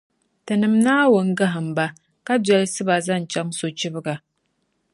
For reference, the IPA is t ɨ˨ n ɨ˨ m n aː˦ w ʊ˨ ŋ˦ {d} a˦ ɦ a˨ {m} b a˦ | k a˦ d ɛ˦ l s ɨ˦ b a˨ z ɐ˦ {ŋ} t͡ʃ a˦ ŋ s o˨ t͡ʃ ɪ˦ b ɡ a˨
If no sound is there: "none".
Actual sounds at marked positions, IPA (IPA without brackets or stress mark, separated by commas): ɡ, m, n